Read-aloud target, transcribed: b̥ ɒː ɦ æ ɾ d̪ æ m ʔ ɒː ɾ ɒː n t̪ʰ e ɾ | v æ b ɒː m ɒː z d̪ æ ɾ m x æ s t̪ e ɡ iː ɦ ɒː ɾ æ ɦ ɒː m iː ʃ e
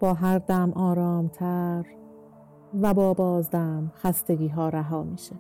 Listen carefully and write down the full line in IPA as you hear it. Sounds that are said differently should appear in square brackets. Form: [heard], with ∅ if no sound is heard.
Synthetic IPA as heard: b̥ ɒː ɦ æ ɾ d̪ æ m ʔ ɒː ɾ ɒː [m] t̪ʰ [æ] ɾ | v æ b ɒː [b] ɒː z d̪ æ [∅] m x æ s t̪ e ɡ iː ɦ ɒː ɾ æ ɦ ɒː m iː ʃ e